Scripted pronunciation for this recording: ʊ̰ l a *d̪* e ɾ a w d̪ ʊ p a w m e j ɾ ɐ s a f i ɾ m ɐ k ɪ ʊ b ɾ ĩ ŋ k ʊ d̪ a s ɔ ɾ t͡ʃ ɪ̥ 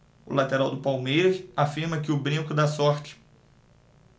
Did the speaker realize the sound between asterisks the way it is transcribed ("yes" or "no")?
no